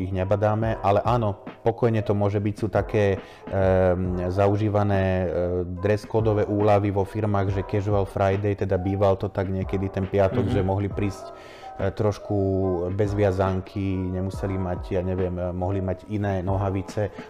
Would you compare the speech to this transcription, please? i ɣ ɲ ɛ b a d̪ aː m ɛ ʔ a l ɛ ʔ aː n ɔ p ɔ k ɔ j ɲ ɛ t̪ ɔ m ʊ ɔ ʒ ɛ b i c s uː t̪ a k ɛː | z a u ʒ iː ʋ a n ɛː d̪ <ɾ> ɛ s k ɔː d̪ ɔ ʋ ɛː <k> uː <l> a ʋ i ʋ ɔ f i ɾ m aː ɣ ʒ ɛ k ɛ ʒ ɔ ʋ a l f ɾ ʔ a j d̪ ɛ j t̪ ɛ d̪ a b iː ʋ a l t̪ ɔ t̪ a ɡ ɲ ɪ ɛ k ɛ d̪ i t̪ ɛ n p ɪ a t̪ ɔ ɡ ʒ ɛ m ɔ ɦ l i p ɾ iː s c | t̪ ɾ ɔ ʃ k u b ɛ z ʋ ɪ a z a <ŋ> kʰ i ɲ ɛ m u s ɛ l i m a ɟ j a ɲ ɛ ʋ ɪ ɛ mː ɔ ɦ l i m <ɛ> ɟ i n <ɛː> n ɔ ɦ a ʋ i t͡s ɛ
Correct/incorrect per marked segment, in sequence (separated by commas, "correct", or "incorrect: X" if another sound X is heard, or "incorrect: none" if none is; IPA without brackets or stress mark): correct, incorrect: ʔ, correct, correct, incorrect: a, correct